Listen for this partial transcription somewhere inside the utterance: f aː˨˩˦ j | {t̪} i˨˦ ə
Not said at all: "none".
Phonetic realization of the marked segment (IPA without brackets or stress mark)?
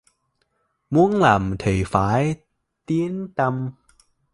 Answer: t̪